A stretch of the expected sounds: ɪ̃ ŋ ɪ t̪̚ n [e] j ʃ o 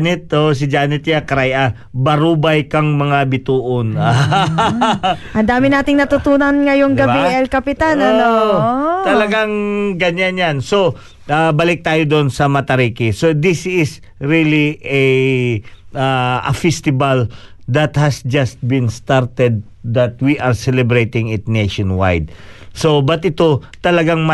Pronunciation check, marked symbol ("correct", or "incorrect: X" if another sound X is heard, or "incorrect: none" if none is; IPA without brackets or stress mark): correct